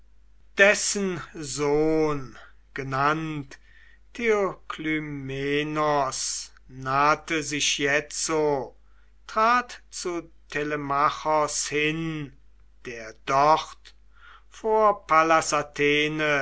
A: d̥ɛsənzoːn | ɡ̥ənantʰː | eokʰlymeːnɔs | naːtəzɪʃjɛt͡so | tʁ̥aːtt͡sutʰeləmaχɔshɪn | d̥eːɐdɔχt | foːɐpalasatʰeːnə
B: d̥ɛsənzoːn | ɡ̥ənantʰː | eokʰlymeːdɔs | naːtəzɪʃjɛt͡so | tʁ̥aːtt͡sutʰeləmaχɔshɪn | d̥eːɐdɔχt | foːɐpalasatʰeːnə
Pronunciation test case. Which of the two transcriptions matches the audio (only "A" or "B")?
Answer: A